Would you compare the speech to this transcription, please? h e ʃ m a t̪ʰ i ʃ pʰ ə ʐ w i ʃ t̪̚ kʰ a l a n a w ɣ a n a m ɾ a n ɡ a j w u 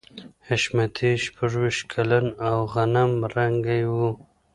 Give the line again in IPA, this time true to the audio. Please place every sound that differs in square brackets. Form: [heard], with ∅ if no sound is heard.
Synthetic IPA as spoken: h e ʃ m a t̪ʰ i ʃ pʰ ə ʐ w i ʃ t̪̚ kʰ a l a n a w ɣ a n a m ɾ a [ŋ] ɡ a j w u